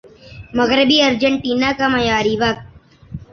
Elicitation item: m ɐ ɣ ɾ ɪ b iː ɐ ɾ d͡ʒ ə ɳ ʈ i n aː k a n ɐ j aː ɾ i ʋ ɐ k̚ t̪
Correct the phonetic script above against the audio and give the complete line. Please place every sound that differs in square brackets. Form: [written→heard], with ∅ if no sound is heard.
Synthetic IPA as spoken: m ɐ ɣ ɾ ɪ b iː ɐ ɾ d͡ʒ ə ɳ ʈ [i→iː] n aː k a [n→m] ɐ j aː ɾ i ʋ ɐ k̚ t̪